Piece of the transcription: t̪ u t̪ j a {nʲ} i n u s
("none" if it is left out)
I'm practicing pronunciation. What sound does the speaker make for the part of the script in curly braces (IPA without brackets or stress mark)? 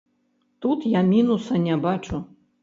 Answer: mʲ